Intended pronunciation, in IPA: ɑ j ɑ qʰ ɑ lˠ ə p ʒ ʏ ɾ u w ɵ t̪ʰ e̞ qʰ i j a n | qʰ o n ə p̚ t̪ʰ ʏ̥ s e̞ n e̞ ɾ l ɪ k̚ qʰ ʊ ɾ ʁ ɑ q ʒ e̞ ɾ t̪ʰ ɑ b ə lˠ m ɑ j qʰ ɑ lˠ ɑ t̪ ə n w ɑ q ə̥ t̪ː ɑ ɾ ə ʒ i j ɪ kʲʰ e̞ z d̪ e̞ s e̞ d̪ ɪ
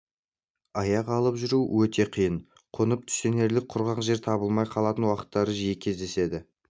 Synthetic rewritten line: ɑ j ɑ q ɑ lˠ ə p ʒ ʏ ɾ u w ɵ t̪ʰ e̞ qʰ i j ə n | qʰ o n ə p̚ t̪ʰ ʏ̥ s e̞ n e̞ ɾ l ɪ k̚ qʰ ʊ ɾ ʁ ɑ q ʒ e̞ ɾ t̪ʰ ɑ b ə lˠ m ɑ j qʰ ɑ lˠ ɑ t̪ ə n w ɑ q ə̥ t̪ː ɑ ɾ ə ʒ i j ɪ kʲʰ e̞ z d̪ e̞ s e̞ d̪ ɪ